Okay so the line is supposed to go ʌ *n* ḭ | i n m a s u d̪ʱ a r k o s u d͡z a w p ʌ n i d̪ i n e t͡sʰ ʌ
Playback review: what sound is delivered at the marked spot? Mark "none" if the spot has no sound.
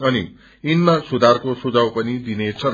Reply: n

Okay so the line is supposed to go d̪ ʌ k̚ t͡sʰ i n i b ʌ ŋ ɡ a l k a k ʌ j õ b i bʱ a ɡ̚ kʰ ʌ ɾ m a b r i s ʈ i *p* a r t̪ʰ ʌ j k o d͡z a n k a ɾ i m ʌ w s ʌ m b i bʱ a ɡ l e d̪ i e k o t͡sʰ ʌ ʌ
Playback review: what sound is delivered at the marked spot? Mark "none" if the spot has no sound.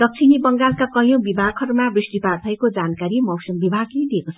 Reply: p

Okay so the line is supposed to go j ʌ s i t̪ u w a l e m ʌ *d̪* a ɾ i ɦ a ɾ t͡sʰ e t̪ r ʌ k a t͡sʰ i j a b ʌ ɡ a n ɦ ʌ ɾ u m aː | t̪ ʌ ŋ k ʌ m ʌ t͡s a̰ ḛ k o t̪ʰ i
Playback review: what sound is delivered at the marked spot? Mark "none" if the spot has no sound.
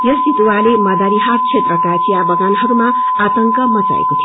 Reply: d̪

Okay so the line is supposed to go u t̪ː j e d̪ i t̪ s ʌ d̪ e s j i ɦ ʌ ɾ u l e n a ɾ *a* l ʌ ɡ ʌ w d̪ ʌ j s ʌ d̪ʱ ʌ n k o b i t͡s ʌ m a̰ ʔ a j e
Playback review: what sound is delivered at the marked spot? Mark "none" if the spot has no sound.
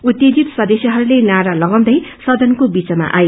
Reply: a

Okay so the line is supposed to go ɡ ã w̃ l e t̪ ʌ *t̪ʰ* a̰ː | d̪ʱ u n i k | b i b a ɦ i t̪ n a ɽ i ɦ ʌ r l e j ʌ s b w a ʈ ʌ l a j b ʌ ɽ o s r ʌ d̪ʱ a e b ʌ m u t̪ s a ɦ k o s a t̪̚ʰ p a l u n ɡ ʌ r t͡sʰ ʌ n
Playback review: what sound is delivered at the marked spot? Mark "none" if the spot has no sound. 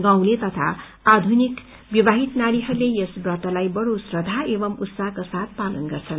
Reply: t̪ʰ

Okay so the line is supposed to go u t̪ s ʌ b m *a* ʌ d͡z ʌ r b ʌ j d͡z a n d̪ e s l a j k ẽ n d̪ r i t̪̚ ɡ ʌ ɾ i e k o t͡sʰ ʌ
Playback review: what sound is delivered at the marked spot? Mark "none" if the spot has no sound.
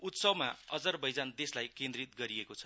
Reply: a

